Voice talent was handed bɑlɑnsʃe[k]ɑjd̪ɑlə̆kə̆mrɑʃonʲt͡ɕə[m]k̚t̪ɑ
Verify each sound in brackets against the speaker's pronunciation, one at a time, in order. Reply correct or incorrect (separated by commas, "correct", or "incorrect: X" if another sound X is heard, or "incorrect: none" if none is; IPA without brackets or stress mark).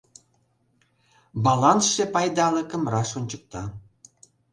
incorrect: p, incorrect: none